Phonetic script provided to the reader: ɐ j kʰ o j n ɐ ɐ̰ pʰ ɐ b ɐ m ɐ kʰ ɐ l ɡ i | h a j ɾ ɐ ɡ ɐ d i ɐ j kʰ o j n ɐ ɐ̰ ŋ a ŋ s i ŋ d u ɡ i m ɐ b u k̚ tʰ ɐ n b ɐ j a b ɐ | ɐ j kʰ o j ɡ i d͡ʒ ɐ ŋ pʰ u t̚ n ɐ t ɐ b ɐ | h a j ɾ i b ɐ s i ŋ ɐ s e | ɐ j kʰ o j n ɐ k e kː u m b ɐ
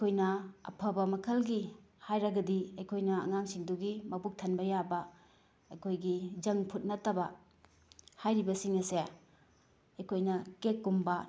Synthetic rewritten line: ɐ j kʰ o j n ɐ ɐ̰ pʰ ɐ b ɐ m ɐ kʰ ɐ l ɡ i | h a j ɾ ɐ ɡ ɐ d i ɐ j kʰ o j n ɐ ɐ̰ ŋ a ŋ s i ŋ d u ɡ i m ɐ b u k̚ tʰ ɐ n b ɐ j a b ɐ | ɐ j kʰ o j ɡ i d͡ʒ ɐ ŋ pʰ u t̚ n ɐ t ɐ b ɐ | h a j ɾ i b ɐ s i ŋ ɐ s e | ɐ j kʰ o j n ɐ k e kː u m b ɐ